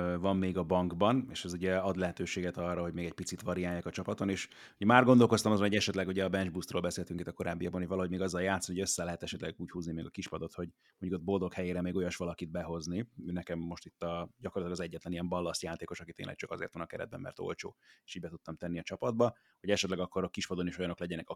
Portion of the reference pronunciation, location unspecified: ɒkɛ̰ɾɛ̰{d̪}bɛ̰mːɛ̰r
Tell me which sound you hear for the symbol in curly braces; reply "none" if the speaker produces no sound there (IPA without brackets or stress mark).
d̪